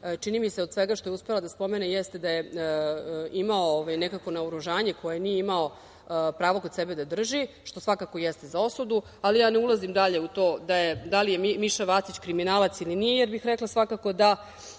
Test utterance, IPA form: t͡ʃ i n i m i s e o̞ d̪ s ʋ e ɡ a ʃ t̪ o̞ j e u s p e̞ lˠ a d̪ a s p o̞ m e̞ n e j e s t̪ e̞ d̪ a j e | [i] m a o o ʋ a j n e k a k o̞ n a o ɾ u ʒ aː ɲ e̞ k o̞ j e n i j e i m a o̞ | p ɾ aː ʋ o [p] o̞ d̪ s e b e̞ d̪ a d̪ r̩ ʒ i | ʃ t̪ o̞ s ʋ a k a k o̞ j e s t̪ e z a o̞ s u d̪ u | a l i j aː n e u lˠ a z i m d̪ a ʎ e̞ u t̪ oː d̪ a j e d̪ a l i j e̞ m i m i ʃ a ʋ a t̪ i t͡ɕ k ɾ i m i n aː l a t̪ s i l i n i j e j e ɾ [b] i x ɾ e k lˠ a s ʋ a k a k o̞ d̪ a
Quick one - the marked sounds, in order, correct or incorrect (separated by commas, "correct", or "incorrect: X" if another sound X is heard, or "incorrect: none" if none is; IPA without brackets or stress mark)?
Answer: correct, incorrect: k, correct